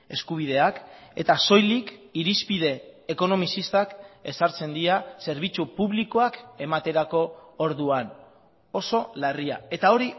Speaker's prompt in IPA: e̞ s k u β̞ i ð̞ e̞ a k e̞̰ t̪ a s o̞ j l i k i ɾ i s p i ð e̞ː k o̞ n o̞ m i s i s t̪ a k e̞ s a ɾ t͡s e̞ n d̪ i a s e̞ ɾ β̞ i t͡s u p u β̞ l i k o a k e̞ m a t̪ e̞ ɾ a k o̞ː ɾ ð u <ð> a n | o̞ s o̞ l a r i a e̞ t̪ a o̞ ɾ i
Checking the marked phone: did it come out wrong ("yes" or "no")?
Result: yes